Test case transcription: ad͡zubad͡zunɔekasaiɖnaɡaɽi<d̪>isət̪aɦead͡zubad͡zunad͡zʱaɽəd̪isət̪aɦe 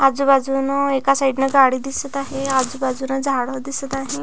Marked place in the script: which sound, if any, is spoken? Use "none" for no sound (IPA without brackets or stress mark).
d̪